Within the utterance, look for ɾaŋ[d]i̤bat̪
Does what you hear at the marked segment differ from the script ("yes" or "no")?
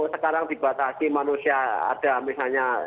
no